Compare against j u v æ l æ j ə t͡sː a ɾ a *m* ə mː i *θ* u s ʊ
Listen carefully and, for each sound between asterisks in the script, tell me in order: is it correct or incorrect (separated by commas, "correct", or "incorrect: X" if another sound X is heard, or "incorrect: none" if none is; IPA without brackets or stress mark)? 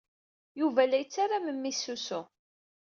correct, incorrect: s